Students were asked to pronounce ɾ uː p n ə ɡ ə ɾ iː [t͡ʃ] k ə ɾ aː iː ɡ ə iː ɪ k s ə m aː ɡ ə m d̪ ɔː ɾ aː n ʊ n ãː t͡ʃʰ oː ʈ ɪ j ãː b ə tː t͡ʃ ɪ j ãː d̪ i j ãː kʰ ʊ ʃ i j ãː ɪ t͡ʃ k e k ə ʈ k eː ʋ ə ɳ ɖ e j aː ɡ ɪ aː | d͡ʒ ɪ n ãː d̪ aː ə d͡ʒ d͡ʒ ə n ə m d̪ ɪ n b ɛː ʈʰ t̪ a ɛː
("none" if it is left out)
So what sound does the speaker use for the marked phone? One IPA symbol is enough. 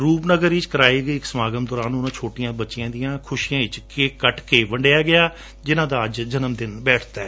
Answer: t͡ʃ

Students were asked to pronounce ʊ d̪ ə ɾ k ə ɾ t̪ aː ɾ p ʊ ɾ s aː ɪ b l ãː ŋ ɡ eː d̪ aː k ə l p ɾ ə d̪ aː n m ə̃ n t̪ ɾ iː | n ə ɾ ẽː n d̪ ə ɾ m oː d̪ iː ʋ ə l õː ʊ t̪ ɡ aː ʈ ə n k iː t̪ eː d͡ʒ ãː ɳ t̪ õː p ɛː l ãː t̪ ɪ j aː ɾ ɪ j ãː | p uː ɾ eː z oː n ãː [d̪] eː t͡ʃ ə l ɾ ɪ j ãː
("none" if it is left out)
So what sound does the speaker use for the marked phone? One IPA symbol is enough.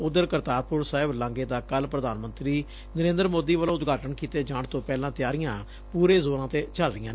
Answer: t̪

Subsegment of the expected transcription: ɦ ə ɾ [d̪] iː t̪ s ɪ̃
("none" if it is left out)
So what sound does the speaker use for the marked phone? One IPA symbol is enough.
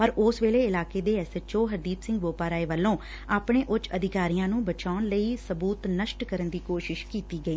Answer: d̪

